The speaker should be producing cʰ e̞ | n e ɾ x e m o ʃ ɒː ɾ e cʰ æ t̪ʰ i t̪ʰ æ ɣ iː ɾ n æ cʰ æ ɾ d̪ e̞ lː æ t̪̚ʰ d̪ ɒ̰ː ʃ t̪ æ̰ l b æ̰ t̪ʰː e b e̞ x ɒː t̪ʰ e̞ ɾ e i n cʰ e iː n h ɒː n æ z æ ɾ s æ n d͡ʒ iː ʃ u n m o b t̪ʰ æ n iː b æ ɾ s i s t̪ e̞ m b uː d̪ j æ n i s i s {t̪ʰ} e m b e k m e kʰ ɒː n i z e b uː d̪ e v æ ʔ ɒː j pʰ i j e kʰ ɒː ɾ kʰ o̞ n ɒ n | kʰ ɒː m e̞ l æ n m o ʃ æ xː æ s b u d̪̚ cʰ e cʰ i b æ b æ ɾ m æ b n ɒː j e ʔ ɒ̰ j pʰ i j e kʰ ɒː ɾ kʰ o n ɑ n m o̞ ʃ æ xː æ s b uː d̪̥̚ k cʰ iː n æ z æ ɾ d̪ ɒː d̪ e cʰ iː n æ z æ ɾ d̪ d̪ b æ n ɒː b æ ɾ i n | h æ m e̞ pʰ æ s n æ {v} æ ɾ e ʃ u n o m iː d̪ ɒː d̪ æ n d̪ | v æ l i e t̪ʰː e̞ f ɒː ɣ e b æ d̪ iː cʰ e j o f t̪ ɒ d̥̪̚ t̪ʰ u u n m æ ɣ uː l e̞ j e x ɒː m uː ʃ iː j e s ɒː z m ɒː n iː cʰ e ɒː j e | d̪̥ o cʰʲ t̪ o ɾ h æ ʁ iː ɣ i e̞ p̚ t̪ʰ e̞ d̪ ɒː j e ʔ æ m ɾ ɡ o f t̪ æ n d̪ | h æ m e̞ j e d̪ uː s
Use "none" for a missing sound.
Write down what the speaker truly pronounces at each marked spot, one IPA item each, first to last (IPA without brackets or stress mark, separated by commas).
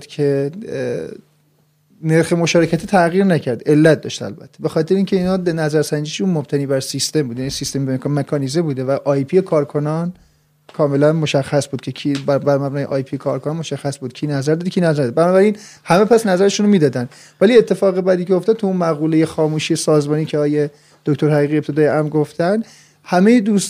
t̪, z